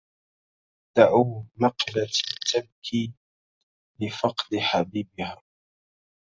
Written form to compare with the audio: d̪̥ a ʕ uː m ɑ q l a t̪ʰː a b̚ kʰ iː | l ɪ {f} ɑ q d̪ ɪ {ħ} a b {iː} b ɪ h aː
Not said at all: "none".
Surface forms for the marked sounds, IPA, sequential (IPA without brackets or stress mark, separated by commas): f, ħ, iː